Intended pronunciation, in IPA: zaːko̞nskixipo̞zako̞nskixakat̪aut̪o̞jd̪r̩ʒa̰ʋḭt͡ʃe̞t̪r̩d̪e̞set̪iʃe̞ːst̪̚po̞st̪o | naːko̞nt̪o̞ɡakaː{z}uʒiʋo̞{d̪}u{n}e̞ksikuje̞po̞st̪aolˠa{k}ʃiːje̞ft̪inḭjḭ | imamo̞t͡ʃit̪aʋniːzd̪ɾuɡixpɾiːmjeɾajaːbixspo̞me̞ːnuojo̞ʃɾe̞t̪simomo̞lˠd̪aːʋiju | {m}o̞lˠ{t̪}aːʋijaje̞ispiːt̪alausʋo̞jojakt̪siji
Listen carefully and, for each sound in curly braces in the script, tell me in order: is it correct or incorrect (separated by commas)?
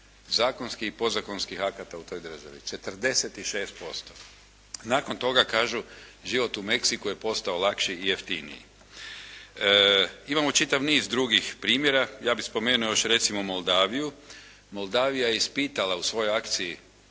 incorrect, incorrect, incorrect, correct, correct, incorrect